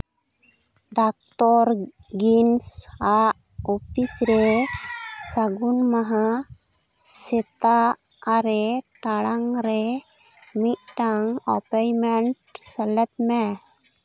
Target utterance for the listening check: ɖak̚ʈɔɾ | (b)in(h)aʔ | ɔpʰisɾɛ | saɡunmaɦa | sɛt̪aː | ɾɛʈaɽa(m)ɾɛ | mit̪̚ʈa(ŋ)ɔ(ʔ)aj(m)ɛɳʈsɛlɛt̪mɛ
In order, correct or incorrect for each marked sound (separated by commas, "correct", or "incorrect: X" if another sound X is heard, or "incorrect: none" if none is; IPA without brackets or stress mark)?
incorrect: ɡ, incorrect: s, incorrect: ŋ, correct, incorrect: p, correct